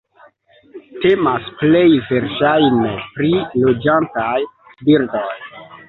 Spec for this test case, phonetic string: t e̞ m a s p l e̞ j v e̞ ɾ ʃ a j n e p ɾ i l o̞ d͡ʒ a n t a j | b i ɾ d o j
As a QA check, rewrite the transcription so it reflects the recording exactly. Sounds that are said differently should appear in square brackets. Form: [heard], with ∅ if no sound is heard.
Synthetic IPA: t e̞ m a s p l e̞ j v e̞ ɾ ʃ a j n e p ɾ i l o̞ d͡ʒ a n t a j | b i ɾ d o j